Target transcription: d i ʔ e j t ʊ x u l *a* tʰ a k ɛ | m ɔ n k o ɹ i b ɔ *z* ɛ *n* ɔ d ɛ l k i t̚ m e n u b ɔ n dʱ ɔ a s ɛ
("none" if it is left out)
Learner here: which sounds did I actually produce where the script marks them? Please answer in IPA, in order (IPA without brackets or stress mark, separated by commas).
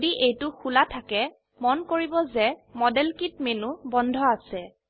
a, z, m